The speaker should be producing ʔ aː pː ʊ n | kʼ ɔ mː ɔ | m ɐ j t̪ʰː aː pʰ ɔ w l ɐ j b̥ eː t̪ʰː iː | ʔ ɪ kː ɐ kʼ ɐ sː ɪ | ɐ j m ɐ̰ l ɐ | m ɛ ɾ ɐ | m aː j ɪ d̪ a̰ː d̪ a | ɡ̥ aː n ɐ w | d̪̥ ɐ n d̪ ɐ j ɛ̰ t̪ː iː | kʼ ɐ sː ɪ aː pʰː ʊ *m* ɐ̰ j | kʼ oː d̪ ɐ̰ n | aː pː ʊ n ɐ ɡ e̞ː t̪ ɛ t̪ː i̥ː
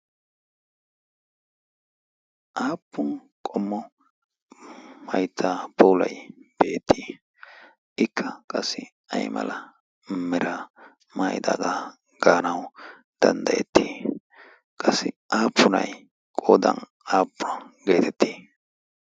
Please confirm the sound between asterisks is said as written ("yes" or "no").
no